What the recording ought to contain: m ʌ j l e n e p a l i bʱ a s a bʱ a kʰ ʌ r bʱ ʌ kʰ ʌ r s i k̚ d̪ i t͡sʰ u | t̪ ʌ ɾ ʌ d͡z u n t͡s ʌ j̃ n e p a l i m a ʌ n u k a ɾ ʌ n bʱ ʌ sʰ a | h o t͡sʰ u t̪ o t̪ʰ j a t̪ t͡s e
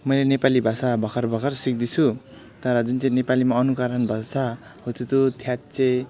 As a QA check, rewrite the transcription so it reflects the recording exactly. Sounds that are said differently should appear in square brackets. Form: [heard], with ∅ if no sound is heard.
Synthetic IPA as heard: m ʌ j l e n e p a l i bʱ a s a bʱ [ʌ] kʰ ʌ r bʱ ʌ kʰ ʌ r s i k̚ d̪ i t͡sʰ u | t̪ ʌ ɾ ʌ d͡z u n t͡s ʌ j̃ n e p a l i m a ʌ n u k a ɾ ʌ n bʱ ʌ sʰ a | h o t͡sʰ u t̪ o t̪ʰ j a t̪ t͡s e